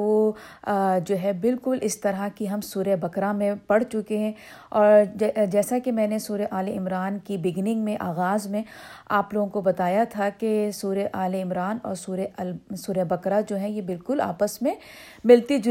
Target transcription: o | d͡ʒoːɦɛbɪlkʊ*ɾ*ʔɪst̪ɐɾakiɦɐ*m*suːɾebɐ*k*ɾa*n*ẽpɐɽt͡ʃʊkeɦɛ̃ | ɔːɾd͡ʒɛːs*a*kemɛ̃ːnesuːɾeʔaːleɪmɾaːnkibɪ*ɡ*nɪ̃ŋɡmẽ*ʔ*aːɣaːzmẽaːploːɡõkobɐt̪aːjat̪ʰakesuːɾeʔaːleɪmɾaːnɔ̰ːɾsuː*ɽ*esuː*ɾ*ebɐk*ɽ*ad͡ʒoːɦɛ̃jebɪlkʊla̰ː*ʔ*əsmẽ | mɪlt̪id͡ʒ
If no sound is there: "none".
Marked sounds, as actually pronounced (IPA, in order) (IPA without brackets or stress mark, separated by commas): l, m, k, m, a, ɡ, ʔ, ɾ, ɾ, ɾ, p